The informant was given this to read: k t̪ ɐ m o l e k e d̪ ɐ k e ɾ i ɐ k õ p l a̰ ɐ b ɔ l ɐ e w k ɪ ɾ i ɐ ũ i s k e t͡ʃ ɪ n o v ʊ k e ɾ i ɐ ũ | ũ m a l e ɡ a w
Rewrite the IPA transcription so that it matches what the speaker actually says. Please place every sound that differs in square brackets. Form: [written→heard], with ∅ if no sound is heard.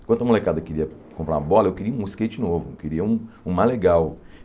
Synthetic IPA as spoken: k t̪ ɐ m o l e k [e→a] d̪ ɐ k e ɾ i ɐ k õ p [l→ɾ] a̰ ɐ b ɔ l ɐ e w k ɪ ɾ i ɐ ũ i s k e t͡ʃ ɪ n o v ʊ k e ɾ i ɐ ũ | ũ m a l e ɡ a w